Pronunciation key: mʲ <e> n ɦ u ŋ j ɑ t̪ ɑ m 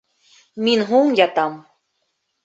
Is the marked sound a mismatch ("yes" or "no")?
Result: yes